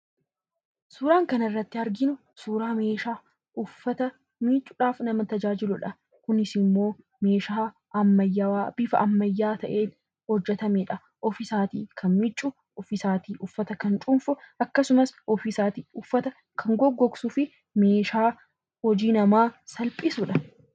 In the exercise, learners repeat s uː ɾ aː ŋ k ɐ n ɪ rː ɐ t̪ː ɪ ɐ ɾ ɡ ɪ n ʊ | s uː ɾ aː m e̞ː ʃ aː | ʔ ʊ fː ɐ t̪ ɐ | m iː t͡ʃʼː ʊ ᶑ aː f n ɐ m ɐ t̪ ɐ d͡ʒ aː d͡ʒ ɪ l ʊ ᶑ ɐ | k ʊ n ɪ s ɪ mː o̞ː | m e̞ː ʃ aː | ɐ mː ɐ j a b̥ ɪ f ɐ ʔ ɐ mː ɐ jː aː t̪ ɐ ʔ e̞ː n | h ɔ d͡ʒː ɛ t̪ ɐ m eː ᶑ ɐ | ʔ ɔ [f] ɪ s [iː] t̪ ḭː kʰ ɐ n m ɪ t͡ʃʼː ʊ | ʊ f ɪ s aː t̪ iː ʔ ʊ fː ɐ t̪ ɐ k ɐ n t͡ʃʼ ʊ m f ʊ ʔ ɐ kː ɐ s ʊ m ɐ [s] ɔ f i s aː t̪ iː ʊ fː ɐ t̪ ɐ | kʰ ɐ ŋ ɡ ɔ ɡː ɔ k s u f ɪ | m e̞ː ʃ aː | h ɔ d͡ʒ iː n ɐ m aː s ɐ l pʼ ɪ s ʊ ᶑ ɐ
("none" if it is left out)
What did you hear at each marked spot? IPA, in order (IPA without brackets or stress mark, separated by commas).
f, aː, s